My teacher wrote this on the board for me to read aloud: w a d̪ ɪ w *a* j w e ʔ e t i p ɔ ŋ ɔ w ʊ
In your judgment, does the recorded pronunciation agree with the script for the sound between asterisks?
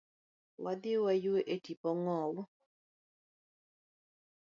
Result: yes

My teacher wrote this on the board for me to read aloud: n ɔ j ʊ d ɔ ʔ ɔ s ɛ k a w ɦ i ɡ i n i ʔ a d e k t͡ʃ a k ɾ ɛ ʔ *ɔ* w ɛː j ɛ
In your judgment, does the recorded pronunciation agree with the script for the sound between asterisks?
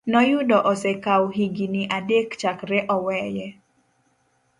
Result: yes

